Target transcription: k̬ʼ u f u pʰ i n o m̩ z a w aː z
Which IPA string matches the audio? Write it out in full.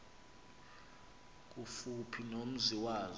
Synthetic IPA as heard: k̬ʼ u f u pʰ i n o m̩ z i w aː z